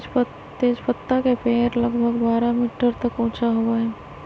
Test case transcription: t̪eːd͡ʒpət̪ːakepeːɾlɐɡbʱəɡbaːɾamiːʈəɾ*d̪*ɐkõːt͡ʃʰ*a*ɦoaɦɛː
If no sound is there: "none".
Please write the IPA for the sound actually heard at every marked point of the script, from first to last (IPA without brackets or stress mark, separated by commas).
t̪, a